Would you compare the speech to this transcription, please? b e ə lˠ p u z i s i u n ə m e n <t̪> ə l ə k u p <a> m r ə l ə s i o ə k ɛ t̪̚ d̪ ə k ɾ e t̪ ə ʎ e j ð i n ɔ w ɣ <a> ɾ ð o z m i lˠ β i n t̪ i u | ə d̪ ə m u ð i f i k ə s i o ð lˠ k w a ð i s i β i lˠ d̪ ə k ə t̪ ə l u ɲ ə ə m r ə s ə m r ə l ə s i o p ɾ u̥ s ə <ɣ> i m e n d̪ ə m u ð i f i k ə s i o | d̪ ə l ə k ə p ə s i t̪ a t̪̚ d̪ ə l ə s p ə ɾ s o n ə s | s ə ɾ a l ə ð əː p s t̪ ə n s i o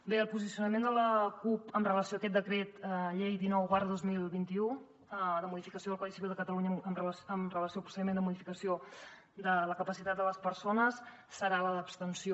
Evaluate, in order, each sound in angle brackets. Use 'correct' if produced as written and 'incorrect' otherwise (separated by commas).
incorrect, incorrect, correct, incorrect